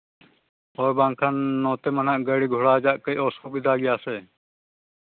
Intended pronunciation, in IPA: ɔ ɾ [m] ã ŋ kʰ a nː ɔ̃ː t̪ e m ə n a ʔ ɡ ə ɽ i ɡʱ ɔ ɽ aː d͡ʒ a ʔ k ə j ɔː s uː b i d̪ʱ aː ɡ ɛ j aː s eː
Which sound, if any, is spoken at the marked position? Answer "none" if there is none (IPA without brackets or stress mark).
b